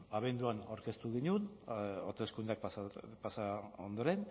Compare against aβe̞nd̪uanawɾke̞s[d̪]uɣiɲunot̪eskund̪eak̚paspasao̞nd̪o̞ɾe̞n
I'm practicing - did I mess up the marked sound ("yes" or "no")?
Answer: yes